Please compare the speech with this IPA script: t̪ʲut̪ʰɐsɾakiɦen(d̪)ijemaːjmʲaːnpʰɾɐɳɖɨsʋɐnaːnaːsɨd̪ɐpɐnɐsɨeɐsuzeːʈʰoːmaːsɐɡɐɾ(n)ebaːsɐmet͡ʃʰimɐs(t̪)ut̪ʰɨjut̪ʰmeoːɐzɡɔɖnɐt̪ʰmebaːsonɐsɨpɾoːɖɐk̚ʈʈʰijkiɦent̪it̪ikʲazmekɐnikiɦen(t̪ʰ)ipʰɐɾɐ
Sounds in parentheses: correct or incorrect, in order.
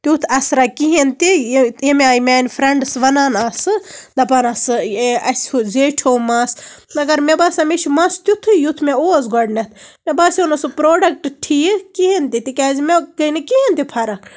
incorrect: t̪, incorrect: m, correct, incorrect: t̪

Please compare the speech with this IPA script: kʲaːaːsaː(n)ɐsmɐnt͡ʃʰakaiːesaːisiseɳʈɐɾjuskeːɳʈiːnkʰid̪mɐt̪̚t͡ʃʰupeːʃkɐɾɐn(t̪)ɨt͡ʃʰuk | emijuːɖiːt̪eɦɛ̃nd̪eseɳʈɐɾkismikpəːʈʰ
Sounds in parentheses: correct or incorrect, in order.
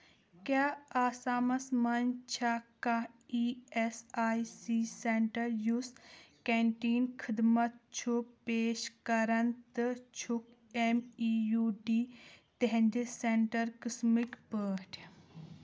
incorrect: m, correct

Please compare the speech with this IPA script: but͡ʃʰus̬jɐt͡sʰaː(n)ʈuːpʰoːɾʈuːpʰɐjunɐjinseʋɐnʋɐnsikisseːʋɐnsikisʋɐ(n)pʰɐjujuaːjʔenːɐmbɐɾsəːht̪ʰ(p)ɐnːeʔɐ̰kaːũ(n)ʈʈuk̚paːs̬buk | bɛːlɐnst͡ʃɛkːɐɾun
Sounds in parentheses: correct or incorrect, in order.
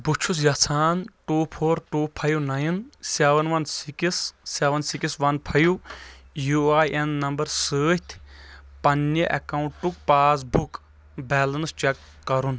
correct, correct, correct, incorrect: ɳ

